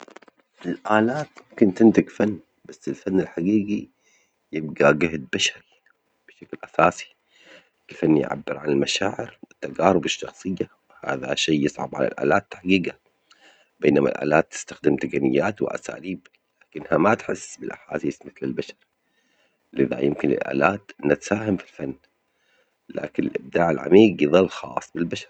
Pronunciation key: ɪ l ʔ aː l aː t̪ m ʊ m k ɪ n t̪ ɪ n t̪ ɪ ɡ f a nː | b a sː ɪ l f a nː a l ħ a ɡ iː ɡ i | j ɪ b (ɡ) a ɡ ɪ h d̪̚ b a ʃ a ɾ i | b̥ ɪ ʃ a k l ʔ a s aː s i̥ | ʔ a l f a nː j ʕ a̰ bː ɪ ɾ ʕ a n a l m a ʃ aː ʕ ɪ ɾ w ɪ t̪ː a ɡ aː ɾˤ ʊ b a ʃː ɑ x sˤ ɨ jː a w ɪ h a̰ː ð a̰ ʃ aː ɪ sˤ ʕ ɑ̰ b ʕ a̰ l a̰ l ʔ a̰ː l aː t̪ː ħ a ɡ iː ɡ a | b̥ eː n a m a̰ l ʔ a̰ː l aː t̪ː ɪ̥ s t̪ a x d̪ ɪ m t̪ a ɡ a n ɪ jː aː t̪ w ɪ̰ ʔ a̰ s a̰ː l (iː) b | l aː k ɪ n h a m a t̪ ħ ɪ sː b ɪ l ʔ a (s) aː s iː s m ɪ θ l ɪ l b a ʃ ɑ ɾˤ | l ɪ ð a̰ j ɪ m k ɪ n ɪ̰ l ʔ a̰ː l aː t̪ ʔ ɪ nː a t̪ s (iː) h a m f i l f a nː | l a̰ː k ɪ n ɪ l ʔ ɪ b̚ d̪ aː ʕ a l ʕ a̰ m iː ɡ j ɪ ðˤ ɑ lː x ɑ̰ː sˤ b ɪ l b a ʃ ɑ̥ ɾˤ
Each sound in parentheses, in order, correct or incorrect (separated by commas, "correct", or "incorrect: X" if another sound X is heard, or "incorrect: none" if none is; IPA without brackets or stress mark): correct, correct, incorrect: ħ, incorrect: aː